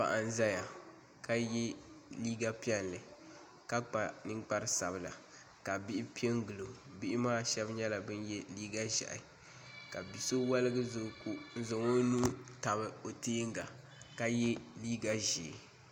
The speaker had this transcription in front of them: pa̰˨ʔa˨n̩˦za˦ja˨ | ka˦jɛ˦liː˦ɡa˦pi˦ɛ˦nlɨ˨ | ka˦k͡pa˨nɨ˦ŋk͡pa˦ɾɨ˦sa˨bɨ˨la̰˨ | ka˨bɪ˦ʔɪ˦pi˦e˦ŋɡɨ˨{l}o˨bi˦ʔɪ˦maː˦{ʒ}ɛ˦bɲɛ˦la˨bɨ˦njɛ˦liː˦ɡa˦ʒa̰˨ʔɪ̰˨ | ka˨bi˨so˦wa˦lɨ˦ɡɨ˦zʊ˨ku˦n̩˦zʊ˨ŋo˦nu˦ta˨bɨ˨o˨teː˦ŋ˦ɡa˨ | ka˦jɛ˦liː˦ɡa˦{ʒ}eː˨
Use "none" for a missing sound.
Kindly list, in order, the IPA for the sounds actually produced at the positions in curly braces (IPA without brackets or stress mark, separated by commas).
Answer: l, ʃ, ʒ